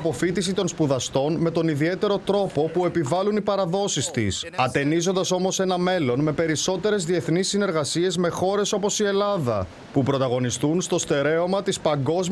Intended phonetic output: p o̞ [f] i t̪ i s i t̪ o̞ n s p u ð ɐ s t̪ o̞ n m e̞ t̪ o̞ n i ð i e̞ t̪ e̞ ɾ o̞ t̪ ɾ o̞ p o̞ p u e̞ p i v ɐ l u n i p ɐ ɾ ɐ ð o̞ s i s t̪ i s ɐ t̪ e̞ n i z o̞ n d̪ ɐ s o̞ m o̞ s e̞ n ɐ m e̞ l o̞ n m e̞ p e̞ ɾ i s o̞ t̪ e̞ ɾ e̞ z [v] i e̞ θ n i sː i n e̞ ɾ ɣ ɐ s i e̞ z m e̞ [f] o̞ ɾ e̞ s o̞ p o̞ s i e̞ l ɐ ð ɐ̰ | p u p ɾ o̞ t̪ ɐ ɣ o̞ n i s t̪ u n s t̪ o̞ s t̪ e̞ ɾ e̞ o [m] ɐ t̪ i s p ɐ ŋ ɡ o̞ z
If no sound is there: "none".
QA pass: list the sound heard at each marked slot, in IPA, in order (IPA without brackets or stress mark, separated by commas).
f, ð, x, m